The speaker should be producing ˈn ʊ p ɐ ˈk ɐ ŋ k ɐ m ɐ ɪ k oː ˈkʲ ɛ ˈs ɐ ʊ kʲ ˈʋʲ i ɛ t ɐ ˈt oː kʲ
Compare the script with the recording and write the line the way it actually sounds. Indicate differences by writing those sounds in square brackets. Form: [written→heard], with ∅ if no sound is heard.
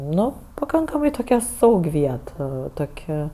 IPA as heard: ˈn ʊ p ɐ ˈk ɐ ŋ k ɐ m ɐ ɪ [k→t] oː ˈkʲ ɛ ˈs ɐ ʊ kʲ ˈʋʲ i ɛ t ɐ ˈt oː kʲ